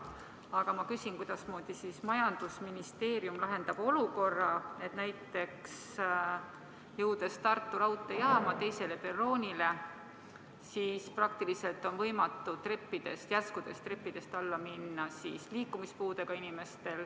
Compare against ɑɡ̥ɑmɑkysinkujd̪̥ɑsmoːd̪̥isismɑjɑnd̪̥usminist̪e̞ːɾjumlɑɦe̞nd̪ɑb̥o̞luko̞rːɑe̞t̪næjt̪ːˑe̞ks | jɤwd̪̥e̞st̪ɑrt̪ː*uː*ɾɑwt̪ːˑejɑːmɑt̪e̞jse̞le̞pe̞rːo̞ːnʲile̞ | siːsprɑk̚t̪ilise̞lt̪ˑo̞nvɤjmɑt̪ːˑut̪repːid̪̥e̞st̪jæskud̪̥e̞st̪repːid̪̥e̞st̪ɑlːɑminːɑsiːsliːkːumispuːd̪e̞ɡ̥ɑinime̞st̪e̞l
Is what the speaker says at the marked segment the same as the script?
no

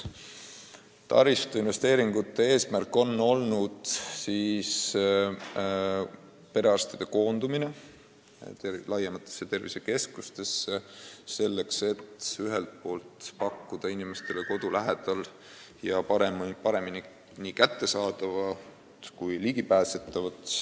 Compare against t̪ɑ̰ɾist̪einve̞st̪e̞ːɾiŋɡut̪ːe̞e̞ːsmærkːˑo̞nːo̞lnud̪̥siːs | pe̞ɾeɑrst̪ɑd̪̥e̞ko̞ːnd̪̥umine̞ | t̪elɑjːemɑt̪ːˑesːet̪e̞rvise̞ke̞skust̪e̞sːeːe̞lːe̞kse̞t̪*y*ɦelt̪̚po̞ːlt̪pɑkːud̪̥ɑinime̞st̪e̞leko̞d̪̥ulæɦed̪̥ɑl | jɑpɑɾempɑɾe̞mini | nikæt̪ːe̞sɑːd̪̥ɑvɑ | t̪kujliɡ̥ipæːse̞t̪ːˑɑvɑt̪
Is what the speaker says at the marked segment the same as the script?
yes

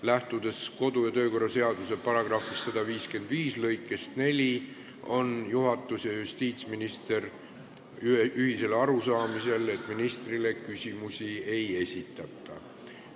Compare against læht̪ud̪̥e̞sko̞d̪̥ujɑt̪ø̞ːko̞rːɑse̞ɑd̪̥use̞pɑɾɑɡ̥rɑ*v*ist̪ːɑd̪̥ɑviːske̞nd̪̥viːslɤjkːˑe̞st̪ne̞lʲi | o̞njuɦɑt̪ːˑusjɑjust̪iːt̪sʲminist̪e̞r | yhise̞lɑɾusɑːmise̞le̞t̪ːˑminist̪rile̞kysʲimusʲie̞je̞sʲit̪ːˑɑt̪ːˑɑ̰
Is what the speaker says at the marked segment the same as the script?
no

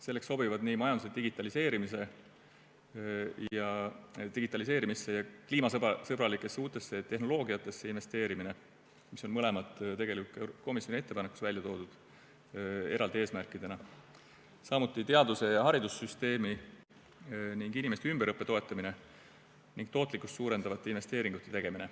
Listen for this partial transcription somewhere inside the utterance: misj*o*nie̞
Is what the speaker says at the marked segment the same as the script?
yes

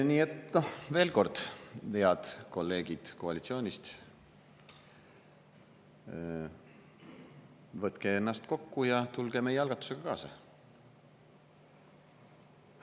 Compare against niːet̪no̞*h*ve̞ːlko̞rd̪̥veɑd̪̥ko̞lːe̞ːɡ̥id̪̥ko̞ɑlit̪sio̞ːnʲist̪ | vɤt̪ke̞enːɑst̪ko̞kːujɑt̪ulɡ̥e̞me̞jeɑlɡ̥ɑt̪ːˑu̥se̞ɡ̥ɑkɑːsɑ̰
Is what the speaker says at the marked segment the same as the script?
yes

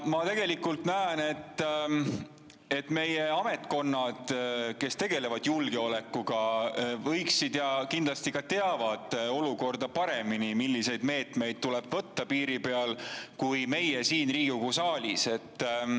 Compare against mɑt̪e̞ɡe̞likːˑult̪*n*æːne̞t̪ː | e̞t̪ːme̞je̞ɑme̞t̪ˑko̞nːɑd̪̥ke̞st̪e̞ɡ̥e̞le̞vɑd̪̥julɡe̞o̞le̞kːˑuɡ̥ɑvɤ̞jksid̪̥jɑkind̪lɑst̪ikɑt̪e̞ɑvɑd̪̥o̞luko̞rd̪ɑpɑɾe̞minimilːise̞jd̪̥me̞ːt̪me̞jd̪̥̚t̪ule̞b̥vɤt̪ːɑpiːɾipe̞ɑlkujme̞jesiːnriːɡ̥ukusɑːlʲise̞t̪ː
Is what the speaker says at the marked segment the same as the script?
yes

